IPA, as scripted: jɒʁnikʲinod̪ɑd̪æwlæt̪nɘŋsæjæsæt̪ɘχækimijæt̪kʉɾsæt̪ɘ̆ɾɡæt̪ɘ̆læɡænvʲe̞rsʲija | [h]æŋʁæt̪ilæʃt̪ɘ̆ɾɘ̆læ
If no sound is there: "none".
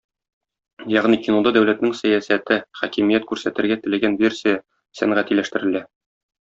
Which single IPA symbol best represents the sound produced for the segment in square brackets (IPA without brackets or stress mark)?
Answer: s